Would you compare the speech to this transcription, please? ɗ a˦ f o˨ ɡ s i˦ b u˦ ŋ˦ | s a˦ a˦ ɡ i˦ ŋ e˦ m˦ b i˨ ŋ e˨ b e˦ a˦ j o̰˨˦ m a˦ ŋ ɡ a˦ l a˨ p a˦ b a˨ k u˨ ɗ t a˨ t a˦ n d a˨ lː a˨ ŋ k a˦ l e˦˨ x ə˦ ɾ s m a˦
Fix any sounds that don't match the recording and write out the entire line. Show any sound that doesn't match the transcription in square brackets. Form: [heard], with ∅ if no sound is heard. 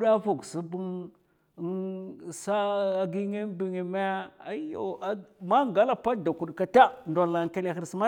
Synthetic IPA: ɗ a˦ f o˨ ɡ s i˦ b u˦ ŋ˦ | s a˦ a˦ ɡ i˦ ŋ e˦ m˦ b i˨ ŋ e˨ [m] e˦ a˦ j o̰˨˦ m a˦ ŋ ɡ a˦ l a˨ p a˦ [d] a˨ k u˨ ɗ [k] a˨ t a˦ n d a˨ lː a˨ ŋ k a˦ l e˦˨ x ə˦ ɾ s m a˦